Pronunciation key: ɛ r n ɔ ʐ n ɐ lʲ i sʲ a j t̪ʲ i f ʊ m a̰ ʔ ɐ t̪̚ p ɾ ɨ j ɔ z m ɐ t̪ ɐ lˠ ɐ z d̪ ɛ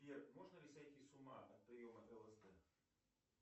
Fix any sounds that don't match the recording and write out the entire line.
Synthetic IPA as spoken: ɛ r m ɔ ʐ n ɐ lʲ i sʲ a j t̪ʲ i s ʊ m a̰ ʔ ɐ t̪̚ p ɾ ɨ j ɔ m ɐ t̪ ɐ lˠ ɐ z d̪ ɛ